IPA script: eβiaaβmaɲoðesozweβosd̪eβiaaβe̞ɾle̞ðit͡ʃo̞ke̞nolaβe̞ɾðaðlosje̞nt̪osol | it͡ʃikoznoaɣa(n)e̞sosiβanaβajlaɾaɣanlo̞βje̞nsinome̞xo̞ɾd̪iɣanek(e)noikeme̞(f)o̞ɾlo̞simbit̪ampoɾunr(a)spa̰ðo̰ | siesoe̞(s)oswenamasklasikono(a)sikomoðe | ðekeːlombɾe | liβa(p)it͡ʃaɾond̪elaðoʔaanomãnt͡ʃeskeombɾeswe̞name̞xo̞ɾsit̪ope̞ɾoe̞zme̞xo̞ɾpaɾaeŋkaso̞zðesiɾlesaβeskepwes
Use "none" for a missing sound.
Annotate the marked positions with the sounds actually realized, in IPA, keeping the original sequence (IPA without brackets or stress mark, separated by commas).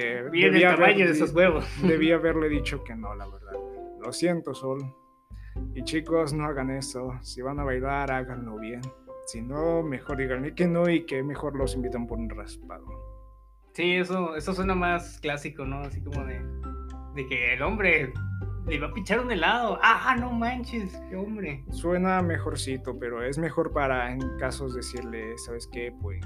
n, e, x, a, s, a, p